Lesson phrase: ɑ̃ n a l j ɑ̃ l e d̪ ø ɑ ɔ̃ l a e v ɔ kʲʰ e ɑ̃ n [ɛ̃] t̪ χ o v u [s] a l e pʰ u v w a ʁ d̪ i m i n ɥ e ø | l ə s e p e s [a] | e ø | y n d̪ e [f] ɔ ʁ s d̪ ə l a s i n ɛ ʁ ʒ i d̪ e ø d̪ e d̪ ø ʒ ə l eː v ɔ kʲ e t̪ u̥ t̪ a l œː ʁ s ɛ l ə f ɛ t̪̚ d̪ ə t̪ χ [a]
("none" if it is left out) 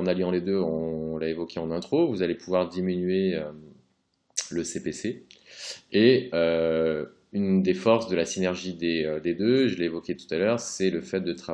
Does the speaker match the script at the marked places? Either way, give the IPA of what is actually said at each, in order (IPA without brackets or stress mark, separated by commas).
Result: ɛ̃, z, e, f, a